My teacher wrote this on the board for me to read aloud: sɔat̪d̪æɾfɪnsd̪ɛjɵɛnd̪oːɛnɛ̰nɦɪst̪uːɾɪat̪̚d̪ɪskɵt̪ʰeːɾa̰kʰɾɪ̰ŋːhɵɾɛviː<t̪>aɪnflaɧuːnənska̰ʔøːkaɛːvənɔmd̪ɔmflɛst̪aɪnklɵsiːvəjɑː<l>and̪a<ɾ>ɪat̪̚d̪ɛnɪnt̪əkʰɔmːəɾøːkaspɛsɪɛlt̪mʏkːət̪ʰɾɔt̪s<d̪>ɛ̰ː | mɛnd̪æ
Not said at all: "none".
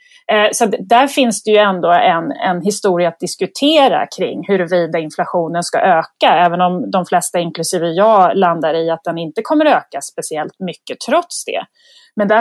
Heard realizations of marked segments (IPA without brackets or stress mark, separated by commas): d̪, l, ɾ, d̪